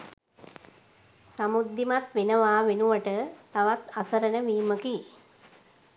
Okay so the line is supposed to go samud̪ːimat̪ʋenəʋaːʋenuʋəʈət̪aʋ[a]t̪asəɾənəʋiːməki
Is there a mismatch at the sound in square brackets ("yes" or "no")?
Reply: no